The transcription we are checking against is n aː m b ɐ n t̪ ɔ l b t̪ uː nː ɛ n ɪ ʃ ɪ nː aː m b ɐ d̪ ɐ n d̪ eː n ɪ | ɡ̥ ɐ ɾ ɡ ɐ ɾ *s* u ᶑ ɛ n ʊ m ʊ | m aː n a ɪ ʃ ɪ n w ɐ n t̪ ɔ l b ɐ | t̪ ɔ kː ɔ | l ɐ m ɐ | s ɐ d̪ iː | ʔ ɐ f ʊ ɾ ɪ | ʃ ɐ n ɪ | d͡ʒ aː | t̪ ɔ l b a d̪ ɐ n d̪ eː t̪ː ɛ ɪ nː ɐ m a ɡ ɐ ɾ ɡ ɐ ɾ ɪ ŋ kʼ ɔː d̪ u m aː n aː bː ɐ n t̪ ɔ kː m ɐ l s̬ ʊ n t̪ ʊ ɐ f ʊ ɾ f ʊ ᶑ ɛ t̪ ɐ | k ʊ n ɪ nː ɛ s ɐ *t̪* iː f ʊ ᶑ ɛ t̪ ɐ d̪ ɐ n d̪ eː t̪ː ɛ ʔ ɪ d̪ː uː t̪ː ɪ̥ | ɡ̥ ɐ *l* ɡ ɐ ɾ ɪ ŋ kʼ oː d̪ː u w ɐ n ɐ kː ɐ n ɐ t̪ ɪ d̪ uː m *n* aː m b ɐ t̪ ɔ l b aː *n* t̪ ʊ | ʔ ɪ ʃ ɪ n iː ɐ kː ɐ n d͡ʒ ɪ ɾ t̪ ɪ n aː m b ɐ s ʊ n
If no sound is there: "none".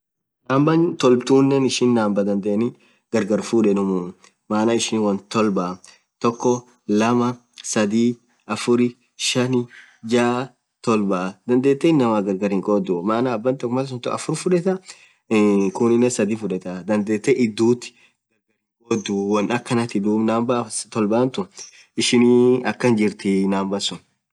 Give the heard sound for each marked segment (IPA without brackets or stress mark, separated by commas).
f, d̪, ɾ, n, n